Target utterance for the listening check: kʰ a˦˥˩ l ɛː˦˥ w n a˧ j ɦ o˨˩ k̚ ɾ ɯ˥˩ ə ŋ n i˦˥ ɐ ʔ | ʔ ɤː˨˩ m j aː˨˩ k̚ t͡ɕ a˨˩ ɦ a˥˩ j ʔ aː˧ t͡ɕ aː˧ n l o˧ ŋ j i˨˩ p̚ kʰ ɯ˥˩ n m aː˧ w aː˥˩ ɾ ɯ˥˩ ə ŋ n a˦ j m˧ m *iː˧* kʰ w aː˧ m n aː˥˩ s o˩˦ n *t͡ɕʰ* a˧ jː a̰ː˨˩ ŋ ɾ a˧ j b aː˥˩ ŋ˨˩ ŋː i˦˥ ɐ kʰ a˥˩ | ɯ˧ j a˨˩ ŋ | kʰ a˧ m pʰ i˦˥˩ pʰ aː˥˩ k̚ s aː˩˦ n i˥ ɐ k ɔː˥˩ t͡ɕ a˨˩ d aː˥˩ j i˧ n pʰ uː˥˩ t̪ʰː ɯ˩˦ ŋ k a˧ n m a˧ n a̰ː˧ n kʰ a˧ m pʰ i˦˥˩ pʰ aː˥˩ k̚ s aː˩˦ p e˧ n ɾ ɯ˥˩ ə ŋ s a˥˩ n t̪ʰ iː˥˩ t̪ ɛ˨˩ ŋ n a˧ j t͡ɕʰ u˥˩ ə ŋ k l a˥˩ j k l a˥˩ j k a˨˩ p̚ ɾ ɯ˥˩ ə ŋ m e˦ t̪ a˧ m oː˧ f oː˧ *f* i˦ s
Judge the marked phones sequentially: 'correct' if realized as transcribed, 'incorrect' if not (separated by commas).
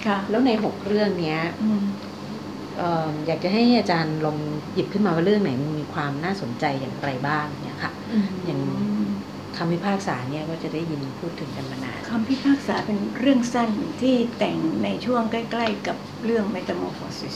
correct, incorrect, incorrect